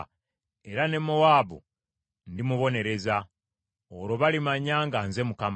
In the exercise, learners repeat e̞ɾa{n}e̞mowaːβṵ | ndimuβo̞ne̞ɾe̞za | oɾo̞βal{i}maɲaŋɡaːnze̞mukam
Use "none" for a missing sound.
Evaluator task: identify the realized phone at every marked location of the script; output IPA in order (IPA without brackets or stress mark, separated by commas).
n, i